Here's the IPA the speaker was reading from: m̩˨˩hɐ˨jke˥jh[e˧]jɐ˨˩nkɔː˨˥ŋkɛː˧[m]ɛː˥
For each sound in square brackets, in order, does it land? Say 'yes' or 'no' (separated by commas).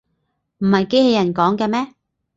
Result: yes, yes